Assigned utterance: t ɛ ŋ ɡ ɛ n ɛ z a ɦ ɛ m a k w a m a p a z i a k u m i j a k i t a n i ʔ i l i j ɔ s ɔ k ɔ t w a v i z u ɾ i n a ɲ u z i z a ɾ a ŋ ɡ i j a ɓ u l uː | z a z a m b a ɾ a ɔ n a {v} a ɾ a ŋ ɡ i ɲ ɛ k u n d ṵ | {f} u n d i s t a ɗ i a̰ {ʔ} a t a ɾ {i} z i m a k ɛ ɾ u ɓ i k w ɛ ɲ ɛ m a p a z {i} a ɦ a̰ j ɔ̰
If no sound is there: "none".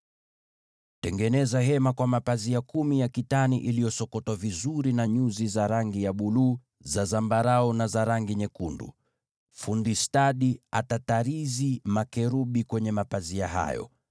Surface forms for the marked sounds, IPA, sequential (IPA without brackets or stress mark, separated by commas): z, f, t, i, i